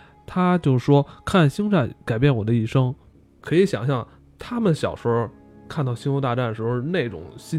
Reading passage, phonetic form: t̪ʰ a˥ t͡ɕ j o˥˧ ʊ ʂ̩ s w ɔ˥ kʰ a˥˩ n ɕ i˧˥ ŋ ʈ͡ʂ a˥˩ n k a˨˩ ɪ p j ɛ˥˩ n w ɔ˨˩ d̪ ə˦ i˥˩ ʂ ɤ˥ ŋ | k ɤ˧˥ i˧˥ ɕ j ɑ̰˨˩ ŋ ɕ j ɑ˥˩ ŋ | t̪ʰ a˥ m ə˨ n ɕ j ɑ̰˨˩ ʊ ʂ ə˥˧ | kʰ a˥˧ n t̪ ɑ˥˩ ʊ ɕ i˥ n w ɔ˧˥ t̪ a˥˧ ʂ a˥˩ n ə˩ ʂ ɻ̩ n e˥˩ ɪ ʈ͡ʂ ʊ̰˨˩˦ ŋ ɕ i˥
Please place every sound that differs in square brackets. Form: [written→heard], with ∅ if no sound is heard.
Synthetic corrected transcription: t̪ʰ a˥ t͡ɕ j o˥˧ ʊ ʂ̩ [s→ʂ] w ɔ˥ kʰ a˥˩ n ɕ [i˧˥→i˥] ŋ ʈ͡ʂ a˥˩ n k a˨˩ ɪ p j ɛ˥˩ n w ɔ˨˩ d̪ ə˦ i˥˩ ʂ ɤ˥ ŋ | [k→kʰ] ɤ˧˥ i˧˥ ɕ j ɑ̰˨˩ ŋ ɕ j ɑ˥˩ ŋ | t̪ʰ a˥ m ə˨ n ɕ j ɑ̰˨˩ ʊ ʂ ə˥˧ | kʰ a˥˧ n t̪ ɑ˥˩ ʊ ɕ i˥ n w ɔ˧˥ t̪ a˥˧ [ʂ→ʈ͡ʂ] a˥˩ n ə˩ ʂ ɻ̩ n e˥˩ ɪ ʈ͡ʂ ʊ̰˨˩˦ ŋ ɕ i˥